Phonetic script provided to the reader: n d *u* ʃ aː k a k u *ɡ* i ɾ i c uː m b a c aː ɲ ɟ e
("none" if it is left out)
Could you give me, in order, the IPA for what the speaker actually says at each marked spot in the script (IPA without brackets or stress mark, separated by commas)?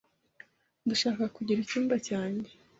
u, ɟ